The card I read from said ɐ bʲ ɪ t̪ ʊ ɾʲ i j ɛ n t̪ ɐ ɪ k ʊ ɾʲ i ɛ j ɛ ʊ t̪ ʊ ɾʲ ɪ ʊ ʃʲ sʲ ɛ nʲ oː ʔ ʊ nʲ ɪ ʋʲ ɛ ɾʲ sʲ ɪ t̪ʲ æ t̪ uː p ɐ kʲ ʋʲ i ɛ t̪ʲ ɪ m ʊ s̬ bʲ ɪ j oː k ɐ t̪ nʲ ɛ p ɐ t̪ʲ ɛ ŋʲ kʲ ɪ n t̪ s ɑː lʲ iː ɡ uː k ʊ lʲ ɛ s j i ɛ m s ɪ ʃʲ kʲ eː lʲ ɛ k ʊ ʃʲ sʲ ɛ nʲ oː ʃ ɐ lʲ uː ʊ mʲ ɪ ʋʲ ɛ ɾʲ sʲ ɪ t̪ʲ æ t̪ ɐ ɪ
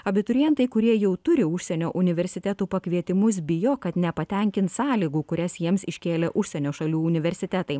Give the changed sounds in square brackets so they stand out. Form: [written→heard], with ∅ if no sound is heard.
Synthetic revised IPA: ɐ bʲ ɪ t̪ ʊ ɾʲ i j ɛ n t̪ ɐ ɪ k ʊ ɾʲ i ɛ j ɛ ʊ t̪ ʊ ɾʲ ɪ ʊ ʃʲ sʲ ɛ nʲ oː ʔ ʊ nʲ ɪ ʋʲ ɛ ɾʲ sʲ ɪ t̪ʲ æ t̪ uː p ɐ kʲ ʋʲ i ɛ t̪ʲ ɪ m ʊ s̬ bʲ ɪ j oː k ɐ t̪ nʲ ɛ p ɐ t̪ʲ ɛ ŋʲ kʲ ɪ n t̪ s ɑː lʲ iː ɡ uː k ʊ [lʲ→ɾʲ] ɛ s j i ɛ m s ɪ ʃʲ kʲ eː lʲ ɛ [k→ʔ] ʊ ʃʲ sʲ ɛ nʲ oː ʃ ɐ lʲ uː ʊ [mʲ→nʲ] ɪ ʋʲ ɛ ɾʲ sʲ ɪ t̪ʲ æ t̪ ɐ ɪ